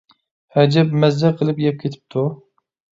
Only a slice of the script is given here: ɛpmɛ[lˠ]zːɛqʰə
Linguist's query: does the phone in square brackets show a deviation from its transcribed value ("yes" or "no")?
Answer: yes